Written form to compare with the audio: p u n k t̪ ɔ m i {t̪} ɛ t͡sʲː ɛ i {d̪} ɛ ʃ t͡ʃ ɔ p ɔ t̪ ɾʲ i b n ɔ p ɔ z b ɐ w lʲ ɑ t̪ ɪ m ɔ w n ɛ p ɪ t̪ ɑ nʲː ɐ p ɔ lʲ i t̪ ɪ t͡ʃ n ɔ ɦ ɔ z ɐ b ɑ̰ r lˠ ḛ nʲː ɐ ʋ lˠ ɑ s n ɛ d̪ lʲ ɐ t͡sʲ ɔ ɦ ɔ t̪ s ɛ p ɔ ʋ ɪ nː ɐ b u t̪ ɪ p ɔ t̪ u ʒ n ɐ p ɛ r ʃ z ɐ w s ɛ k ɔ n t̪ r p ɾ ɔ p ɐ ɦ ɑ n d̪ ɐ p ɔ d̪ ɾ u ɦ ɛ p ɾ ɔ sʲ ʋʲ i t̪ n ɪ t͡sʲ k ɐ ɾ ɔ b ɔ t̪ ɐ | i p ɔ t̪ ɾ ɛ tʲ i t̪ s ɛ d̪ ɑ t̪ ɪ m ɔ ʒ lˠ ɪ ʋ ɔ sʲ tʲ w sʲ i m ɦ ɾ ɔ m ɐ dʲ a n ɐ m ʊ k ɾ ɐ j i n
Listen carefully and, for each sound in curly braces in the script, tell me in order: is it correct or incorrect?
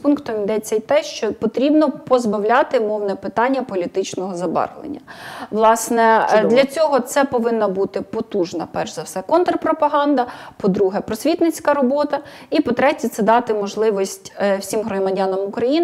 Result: incorrect: d̪, incorrect: t̪

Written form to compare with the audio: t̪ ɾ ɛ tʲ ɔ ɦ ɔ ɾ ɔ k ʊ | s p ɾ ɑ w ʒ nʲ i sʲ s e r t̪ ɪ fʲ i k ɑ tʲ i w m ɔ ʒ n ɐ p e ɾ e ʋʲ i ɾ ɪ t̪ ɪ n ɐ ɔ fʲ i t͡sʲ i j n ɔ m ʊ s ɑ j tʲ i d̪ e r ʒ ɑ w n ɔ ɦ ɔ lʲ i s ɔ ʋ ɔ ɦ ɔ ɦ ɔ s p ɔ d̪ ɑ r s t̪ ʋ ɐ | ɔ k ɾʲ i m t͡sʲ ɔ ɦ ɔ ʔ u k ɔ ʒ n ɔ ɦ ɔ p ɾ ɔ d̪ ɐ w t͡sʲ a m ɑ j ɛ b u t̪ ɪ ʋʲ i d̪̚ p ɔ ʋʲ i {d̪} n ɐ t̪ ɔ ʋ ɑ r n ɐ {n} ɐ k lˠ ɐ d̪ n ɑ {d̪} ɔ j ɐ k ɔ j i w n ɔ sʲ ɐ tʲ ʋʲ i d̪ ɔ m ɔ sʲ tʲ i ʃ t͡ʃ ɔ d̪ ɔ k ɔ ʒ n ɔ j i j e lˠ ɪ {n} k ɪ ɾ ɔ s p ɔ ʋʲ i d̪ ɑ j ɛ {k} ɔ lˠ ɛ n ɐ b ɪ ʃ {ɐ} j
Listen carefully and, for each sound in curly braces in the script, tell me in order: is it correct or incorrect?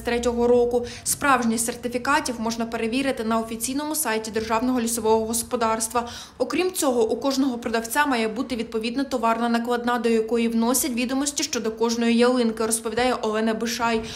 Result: correct, correct, correct, correct, incorrect: ʔ, incorrect: ɑ

